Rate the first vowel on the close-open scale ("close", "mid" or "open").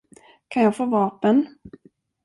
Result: open